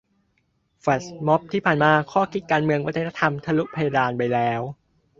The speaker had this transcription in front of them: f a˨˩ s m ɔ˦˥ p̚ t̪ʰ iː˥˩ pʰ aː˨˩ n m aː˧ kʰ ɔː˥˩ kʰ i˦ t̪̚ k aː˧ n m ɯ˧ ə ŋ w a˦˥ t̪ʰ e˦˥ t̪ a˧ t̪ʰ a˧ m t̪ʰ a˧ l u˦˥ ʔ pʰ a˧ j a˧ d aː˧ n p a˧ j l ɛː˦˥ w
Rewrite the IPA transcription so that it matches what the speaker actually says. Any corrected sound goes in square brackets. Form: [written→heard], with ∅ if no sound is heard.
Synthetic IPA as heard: f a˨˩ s m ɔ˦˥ p̚ t̪ʰ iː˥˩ pʰ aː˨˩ n m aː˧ kʰ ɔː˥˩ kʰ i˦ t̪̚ k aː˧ n m ɯ˧ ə ŋ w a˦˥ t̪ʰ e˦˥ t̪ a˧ t̪ʰ a˧ m t̪ʰ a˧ l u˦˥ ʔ pʰ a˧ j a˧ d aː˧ n p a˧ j l ɛː˦˥ w